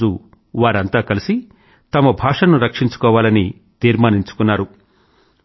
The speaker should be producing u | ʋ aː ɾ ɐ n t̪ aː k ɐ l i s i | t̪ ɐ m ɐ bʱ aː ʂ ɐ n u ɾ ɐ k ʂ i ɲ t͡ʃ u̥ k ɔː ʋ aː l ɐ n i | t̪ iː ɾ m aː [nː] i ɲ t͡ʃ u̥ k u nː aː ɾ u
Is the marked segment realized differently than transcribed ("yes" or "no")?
yes